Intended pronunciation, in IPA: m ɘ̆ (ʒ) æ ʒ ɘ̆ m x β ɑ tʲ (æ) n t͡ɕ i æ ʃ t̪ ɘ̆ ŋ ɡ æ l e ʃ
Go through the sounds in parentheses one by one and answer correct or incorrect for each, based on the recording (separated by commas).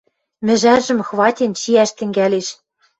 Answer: correct, incorrect